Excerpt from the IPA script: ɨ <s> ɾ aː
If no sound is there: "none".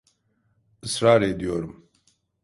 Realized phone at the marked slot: s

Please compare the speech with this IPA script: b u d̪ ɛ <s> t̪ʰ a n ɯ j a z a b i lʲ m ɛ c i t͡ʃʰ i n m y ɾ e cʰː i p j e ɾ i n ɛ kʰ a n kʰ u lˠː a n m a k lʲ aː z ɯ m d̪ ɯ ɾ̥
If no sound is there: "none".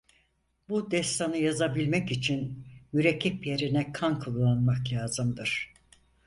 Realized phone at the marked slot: s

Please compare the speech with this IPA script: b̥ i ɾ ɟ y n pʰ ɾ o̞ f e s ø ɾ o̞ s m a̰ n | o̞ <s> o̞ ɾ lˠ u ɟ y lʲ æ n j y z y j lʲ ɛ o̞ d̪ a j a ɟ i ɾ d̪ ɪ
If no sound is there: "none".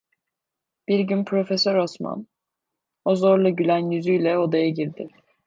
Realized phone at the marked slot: z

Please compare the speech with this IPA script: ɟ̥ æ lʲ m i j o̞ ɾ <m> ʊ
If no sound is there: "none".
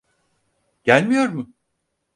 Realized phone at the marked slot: m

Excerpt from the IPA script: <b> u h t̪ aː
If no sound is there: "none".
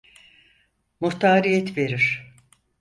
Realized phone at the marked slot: m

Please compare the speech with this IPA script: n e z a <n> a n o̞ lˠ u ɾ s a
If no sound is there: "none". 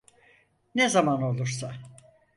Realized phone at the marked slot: m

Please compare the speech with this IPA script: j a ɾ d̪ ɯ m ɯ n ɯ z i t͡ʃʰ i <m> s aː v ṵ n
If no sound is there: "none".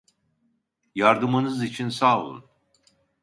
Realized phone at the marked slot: n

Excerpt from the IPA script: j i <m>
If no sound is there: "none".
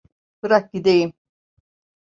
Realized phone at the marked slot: m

